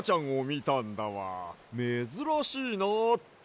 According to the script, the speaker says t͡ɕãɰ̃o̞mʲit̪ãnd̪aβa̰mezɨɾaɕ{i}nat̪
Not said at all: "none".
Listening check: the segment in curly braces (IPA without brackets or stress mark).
iː